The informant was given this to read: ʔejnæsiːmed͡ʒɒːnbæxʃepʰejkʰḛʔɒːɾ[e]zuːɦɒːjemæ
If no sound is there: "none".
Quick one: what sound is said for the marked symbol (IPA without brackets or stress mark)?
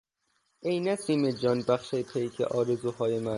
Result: e